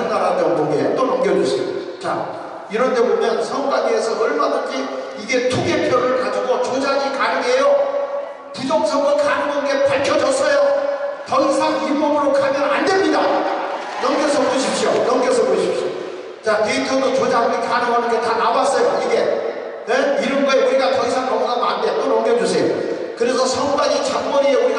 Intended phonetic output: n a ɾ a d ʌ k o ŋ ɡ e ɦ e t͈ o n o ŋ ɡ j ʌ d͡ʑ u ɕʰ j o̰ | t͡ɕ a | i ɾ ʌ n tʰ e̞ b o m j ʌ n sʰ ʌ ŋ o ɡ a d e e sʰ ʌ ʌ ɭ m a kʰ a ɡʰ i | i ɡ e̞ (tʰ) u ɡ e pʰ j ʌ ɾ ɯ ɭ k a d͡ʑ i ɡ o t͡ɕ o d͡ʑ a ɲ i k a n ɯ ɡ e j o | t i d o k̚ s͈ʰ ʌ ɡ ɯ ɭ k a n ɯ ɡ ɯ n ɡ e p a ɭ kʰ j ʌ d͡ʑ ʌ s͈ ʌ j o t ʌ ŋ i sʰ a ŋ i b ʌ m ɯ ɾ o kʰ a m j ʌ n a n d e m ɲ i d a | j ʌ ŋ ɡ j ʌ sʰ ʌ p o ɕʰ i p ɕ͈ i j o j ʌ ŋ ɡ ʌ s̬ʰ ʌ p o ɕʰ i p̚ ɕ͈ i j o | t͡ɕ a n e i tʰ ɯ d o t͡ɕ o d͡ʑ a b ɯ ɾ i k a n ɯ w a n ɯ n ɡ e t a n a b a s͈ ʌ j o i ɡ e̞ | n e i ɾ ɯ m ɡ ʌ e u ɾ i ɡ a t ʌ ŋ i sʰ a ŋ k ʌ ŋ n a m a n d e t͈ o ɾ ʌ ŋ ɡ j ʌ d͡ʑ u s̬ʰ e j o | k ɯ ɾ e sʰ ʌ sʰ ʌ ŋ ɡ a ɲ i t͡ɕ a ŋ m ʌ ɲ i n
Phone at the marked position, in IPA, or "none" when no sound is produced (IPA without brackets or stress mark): tʰ